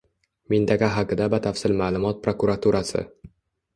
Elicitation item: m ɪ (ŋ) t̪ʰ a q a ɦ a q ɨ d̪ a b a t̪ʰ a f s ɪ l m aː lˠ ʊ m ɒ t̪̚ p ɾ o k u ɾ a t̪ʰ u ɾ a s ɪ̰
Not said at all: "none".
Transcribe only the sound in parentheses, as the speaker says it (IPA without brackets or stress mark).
n